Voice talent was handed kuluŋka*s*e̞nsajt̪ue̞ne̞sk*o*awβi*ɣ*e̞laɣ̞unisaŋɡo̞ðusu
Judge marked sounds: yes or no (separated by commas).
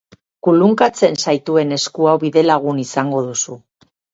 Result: no, no, no